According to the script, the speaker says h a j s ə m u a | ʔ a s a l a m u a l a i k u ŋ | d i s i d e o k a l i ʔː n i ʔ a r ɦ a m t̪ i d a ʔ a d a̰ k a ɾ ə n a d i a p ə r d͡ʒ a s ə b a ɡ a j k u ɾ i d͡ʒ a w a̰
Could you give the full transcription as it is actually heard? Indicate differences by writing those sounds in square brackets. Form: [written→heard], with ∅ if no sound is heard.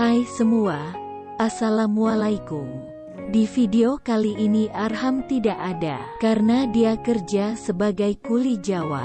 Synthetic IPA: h a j s ə m u a | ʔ a s a l a m u a l a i k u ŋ | d i [s→f] i d e o k a l i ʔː n i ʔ a r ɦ a m t̪ i d a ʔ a d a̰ k a ɾ ə n a d i a [p→k] ə r d͡ʒ a s ə b a ɡ a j k u [ɾ→l] i d͡ʒ a w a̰

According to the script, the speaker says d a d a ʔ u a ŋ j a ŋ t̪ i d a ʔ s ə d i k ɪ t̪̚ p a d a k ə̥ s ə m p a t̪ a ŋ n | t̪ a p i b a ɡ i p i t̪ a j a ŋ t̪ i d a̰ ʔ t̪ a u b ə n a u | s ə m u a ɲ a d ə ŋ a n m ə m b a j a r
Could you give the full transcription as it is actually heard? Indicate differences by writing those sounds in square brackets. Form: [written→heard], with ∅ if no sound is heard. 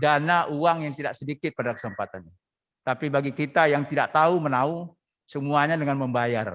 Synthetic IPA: d a [d→n] a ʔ u a ŋ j a ŋ t̪ i d a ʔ s ə d i k ɪ t̪̚ p a d a k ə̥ s ə m p a t̪ a [ŋ→∅] n | t̪ a p i b a ɡ i [p→k] i t̪ a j a ŋ t̪ i d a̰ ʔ t̪ a u [b→m] ə n a u | s ə m u a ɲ a d ə ŋ a n m ə m b a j a r

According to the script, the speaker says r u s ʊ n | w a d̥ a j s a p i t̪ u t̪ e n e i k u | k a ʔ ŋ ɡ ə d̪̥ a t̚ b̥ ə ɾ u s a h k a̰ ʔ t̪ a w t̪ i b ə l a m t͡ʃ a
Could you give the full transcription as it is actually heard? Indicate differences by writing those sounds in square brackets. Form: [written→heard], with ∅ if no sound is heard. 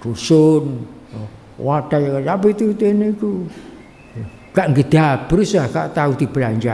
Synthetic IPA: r u s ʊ n | w a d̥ a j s a p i t̪ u t̪ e n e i k u | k a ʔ ŋ ɡ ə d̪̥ a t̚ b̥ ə ɾ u s a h k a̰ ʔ t̪ a [w→u] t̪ i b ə l a [m→ɲ] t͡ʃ a

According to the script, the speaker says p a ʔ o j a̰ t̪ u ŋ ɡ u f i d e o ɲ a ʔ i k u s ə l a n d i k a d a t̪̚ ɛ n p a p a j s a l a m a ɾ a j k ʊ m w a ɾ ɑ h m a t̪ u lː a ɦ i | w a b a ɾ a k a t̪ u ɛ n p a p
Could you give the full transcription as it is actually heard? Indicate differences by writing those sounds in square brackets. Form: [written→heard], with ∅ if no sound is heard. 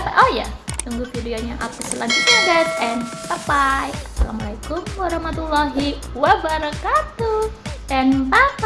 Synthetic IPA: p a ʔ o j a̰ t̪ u ŋ ɡ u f i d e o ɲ a ʔ [i→a] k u s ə l a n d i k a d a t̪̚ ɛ n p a p a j s a l a m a [ɾ→l] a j k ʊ m w a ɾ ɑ h m a t̪ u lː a ɦ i | w a b a ɾ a k a t̪ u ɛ n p a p

